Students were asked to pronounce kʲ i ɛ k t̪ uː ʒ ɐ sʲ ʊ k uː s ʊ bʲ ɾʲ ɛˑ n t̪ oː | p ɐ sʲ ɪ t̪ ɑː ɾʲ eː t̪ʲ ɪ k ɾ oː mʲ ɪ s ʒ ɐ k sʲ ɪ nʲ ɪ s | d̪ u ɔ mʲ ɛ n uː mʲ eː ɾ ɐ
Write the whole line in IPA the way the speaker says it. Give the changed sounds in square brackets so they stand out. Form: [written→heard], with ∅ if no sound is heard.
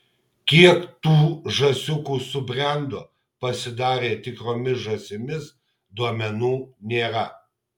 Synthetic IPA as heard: kʲ i ɛ k t̪ uː ʒ ɐ sʲ ʊ k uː s ʊ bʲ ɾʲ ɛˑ n [t̪→d̪] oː | p ɐ sʲ ɪ [t̪→d̪] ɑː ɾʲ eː t̪ʲ ɪ k ɾ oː mʲ ɪ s ʒ ɐ [k→∅] sʲ ɪ [nʲ→mʲ] ɪ s | d̪ u ɔ mʲ ɛ n uː [mʲ→nʲ] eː ɾ ɐ